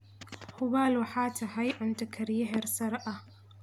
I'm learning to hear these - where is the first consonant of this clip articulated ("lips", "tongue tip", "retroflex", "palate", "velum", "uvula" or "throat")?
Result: throat